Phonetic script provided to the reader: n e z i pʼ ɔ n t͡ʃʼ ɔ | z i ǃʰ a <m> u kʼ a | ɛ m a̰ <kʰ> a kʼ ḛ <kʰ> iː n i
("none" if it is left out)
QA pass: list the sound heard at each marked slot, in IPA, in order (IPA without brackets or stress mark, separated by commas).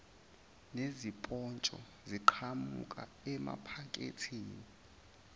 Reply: m, pʰ, tʰ